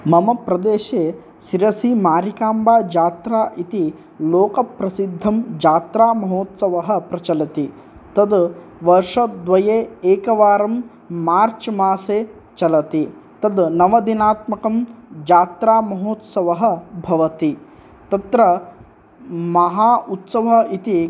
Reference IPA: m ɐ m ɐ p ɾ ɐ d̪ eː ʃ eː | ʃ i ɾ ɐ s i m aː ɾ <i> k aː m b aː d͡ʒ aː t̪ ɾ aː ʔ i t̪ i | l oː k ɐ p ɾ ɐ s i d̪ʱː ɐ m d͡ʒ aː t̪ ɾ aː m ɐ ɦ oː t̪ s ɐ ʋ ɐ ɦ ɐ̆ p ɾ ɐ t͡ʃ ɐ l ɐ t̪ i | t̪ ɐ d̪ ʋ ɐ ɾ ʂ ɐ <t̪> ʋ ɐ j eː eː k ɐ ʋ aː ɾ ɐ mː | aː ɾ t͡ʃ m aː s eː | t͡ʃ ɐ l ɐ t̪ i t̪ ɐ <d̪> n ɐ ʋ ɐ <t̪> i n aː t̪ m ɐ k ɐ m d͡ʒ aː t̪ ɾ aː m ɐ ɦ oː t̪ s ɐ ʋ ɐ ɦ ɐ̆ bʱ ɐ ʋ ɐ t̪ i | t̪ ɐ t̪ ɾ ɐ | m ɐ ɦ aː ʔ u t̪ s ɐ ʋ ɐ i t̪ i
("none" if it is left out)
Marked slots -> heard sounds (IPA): i, d̪, d̪, d̪

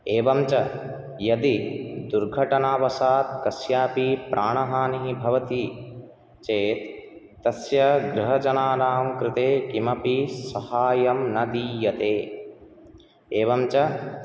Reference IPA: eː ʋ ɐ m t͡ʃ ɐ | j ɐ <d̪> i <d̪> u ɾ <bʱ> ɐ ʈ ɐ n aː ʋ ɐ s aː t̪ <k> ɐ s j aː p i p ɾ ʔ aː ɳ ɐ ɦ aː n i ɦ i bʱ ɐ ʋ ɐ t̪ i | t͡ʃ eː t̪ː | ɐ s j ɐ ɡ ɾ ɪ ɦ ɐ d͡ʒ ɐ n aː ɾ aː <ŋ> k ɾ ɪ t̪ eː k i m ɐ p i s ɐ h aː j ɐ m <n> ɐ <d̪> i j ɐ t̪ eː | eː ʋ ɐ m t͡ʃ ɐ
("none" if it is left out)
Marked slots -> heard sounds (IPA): d̪, d̪, ɡʱ, k, m, n, d̪

